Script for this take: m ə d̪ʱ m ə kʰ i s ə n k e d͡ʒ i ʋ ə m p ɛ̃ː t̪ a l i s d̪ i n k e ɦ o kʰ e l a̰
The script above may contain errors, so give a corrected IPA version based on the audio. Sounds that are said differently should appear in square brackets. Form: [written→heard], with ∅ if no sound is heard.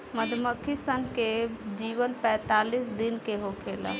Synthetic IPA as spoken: m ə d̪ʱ m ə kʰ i s ə n k e d͡ʒ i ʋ ə [m→n] p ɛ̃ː t̪ a l i s d̪ i n k e ɦ o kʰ e l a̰

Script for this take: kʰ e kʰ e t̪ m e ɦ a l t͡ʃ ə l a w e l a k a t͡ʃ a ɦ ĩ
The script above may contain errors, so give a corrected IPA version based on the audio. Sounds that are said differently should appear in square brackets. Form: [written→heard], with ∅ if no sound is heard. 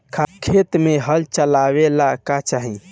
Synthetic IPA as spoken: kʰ [e→a] kʰ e t̪ m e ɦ [a→ə] l t͡ʃ ə l a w e l a k a t͡ʃ a ɦ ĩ

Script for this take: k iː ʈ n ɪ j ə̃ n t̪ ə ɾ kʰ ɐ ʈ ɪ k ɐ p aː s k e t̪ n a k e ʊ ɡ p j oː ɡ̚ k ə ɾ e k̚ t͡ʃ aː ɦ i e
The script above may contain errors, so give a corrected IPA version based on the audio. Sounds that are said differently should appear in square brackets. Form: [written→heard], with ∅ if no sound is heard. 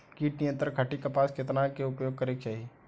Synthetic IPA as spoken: k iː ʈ n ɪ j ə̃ n t̪ ə ɾ kʰ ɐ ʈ [ɪ→i] k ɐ p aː s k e t̪ n a k e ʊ ɡ p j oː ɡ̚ k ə ɾ e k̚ t͡ʃ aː ɦ i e

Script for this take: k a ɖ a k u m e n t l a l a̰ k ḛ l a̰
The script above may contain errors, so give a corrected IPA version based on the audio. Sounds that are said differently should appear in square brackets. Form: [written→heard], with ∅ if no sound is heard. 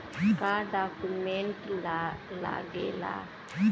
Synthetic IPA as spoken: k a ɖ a k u m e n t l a l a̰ [k→ɡ] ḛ l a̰

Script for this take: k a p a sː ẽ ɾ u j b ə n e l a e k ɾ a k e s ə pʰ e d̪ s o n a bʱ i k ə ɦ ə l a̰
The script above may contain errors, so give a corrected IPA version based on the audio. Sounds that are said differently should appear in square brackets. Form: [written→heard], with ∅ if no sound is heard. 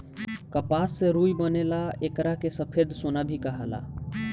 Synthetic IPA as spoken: k [a→ə] p a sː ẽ ɾ u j b ə n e l a e k ɾ a k e s ə pʰ e d̪ s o n a bʱ i k ə ɦ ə l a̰

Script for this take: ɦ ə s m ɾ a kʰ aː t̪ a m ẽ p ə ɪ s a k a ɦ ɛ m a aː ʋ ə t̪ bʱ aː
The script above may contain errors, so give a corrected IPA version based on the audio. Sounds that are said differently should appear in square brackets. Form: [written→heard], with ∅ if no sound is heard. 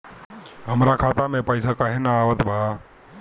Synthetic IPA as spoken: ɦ ə [s→∅] m ɾ a kʰ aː t̪ a m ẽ p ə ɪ s a k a ɦ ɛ [m→n] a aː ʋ ə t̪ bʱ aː

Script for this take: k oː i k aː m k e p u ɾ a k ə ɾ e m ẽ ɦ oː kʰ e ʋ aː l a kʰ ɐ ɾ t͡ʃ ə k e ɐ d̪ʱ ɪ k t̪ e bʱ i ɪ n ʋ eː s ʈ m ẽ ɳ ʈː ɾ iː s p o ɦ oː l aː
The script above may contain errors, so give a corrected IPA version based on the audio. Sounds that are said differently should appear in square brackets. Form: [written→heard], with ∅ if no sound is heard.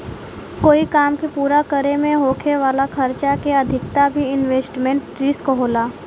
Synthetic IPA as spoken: k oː i k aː m k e p [u→uː] ɾ a k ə ɾ e m ẽ ɦ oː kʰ e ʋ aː l a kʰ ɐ ɾ t͡ʃ [ə→a] k e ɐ d̪ʱ ɪ k t̪ [e→a] bʱ i ɪ n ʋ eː s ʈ m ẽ ɳ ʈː ɾ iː s [p→k] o ɦ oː l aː

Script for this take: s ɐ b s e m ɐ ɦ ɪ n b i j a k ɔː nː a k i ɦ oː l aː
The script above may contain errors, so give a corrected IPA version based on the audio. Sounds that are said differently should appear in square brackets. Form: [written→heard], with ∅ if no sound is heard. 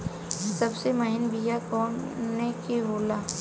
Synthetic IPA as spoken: s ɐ b s e m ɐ ɦ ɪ n b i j a k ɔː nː [a→e] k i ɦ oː l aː

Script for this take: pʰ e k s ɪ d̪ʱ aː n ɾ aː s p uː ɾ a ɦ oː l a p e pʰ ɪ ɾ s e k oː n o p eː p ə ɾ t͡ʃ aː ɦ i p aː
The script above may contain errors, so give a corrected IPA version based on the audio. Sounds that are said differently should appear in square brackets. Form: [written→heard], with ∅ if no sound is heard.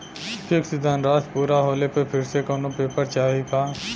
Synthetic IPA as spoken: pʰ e k s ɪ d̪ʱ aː n ɾ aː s p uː ɾ a ɦ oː l [a→e] p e pʰ ɪ ɾ s e k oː n o p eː p ə ɾ t͡ʃ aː ɦ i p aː

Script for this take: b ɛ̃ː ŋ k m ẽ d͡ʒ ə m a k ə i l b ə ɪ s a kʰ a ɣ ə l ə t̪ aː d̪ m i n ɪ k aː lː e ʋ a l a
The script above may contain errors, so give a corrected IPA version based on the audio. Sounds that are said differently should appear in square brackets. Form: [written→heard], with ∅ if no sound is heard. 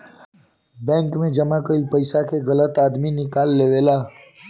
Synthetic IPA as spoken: b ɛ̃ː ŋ k m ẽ d͡ʒ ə m a k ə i l [b→p] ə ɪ s a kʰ [a→e] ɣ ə l ə t̪ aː d̪ m i n ɪ k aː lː e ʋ [a→e] l a

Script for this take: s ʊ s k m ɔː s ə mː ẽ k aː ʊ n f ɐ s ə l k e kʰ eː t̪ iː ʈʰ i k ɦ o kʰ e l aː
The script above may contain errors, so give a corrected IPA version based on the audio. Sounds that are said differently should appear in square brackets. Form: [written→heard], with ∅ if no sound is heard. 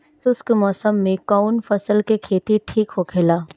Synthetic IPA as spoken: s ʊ s k m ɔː s ə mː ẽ k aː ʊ n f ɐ s ə l k e kʰ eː t̪ [iː→i] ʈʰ [i→iː] k ɦ o kʰ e l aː

